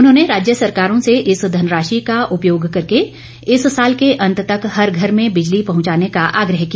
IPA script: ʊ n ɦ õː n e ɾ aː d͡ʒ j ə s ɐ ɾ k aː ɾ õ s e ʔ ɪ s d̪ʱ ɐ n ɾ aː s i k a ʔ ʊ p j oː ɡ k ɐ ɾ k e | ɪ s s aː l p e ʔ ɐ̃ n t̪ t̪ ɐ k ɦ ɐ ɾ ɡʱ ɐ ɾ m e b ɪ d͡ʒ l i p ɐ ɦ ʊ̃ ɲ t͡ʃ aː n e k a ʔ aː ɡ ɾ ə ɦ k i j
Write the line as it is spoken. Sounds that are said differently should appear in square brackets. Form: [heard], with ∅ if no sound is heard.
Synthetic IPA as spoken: ʊ n ɦ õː n e ɾ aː d͡ʒ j ə s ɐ ɾ k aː ɾ õ s e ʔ ɪ s d̪ʱ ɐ n ɾ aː [ʃ] i k a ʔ ʊ p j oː ɡ k ɐ ɾ k e | ɪ s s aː l [k] e ʔ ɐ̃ n t̪ t̪ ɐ k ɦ ɐ ɾ ɡʱ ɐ ɾ m [ẽ] b ɪ d͡ʒ l i p ɐ ɦ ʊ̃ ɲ t͡ʃ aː n e k a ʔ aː ɡ ɾ ə ɦ k i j